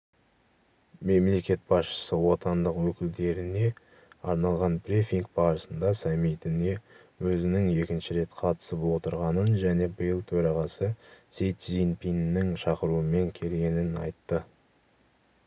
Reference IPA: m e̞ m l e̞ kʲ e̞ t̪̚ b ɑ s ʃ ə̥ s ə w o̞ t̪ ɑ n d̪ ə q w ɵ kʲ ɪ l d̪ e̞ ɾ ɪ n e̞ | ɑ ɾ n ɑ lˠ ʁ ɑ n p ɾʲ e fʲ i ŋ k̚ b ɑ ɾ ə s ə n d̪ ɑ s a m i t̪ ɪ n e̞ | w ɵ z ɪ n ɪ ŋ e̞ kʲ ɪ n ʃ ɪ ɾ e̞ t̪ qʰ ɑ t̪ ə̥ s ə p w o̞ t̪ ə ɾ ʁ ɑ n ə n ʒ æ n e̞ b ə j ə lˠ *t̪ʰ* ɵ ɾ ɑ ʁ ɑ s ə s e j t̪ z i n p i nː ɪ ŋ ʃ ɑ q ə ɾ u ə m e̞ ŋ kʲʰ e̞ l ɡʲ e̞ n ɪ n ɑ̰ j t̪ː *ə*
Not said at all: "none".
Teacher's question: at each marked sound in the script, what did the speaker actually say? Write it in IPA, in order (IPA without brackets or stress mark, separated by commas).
t̪ʰ, ə